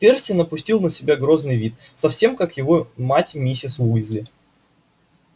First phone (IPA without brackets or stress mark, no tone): pʲ